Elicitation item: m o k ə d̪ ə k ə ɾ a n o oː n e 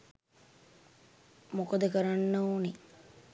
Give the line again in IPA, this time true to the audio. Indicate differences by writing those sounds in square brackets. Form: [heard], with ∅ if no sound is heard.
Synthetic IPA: m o k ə d̪ ə k ə ɾ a [nː] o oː n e